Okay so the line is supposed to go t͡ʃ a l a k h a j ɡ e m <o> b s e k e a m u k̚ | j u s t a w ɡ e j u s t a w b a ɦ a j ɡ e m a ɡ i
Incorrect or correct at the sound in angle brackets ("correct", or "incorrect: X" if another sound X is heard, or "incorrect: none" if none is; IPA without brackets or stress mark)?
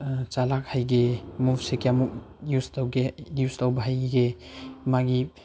incorrect: u